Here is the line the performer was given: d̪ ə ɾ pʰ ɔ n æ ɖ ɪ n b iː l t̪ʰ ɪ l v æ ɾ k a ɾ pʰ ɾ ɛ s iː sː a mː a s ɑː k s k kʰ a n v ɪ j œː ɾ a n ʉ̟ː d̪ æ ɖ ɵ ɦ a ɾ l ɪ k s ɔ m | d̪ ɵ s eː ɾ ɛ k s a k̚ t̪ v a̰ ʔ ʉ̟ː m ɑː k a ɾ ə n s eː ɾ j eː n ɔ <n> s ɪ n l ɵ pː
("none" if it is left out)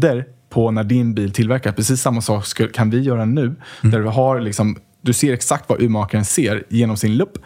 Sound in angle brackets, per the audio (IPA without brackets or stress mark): m